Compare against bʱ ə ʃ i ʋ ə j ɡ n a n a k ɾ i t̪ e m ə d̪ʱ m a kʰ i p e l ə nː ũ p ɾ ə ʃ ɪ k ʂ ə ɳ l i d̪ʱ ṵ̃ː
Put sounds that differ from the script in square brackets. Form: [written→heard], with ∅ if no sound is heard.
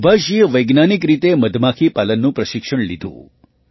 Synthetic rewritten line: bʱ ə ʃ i ʋ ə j ɡ n a n [a→i] k ɾ i t̪ e m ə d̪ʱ m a kʰ i p [e→a] l ə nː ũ p ɾ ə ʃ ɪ k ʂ ə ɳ l i d̪ʱ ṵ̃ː